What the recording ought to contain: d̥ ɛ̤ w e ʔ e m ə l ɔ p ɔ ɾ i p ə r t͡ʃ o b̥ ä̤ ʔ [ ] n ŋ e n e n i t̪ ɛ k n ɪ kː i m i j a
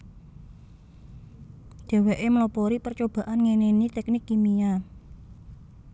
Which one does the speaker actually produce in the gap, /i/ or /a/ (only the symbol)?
a